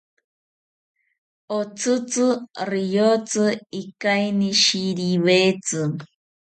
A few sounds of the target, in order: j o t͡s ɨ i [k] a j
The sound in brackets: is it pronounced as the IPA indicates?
yes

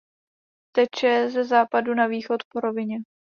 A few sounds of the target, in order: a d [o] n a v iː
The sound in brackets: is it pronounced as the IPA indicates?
no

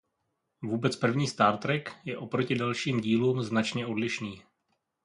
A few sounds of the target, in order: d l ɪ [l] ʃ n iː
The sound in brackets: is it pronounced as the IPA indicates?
no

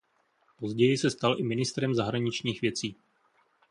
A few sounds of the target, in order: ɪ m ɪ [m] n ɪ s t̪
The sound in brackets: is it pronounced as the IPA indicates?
no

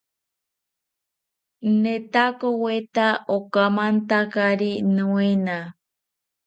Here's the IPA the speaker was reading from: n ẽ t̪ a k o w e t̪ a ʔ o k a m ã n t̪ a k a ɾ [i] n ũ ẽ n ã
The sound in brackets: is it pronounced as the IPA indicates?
yes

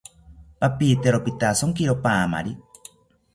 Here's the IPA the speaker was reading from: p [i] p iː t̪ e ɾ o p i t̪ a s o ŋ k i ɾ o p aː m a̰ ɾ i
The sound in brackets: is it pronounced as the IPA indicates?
no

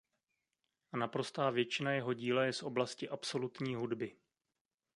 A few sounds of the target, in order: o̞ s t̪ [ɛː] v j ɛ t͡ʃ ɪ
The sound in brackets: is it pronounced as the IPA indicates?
no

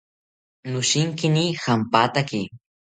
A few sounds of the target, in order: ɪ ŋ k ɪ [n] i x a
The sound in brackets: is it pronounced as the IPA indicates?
yes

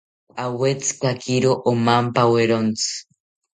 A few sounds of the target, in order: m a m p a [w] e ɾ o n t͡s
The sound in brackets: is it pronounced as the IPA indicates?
yes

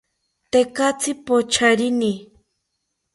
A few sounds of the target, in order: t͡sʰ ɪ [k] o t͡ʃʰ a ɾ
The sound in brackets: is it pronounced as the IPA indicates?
no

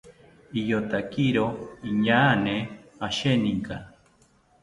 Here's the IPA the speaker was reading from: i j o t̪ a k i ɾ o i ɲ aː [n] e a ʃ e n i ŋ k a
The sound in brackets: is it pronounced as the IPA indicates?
yes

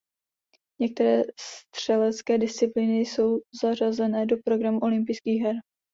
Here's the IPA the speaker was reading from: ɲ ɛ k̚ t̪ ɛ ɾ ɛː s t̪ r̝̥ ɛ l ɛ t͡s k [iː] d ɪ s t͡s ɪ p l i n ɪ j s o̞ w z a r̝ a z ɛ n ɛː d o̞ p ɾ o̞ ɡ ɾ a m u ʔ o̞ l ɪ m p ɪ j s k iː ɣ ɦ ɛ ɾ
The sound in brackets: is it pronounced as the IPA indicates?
no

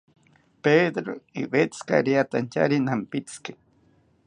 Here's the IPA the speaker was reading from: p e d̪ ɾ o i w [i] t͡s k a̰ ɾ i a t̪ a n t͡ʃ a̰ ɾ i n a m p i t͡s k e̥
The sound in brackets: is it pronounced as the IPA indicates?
no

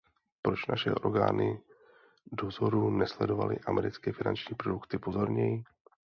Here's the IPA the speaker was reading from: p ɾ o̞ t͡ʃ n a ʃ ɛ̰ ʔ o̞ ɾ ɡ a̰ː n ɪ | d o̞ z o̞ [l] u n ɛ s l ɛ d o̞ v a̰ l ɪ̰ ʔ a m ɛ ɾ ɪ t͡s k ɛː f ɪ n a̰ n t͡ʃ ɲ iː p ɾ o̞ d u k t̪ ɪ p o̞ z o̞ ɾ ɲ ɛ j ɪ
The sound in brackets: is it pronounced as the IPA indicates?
no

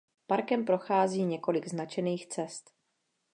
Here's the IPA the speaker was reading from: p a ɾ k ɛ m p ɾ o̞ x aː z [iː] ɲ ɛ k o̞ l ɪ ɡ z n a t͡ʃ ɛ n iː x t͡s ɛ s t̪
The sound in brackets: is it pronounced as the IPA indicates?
yes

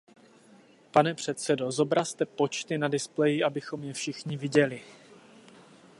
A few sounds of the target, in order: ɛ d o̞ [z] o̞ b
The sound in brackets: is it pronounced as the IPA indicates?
yes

